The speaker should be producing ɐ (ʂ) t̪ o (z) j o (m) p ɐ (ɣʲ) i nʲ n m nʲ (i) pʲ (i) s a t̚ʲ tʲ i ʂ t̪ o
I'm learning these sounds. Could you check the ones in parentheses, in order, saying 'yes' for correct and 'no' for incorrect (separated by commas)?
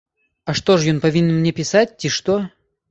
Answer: yes, no, no, no, no, no